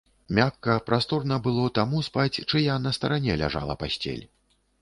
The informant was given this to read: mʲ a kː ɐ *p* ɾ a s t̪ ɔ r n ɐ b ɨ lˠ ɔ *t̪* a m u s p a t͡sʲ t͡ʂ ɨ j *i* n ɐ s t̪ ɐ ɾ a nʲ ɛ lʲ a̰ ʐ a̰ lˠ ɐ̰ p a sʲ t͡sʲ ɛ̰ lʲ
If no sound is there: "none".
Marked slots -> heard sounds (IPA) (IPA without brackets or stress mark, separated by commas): p, t̪, a